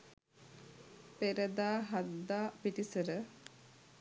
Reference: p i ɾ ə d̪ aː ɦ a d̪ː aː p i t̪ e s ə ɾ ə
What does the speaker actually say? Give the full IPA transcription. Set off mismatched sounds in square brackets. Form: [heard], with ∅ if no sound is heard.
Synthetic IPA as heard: p [e] ɾ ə d̪ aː ɦ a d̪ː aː p i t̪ [i] s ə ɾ ə